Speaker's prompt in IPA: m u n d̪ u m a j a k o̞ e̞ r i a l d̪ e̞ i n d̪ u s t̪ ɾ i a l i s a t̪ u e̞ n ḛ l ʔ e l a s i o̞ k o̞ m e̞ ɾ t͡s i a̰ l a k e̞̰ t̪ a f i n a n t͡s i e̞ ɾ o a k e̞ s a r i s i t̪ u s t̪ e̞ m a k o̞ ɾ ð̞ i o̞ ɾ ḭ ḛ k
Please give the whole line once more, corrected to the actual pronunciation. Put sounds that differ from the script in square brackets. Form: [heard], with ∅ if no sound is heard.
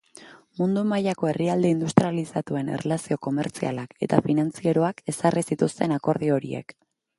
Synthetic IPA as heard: m u n d̪ u m a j a k o̞ e̞ r i a l d̪ e̞ i n d̪ u s t̪ ɾ i a l i s a t̪ u e̞ n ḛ [r] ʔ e l a s i o̞ k o̞ m e̞ ɾ t͡s i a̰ l a k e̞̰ t̪ a f i n a n t͡s i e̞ ɾ o a k e̞ s a r i s i t̪ u s t̪ e̞ [n] a k o̞ ɾ ð̞ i o̞ ɾ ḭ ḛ k